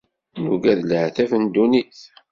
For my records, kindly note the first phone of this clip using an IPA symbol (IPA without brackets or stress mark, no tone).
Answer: n